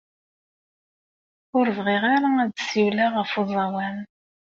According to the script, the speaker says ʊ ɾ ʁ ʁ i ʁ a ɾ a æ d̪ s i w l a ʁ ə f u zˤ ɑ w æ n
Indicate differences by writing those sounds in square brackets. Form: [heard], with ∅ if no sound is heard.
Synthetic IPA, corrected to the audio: ʊ ɾ [v] ʁ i ʁ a ɾ a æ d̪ s i w l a ʁ ə f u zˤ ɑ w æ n